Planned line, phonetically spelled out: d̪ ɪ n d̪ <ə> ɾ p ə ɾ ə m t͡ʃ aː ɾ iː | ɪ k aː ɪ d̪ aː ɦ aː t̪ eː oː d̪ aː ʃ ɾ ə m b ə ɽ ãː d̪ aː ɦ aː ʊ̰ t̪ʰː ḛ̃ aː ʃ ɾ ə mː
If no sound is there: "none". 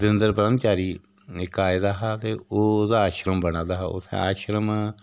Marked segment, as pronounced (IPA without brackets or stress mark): ə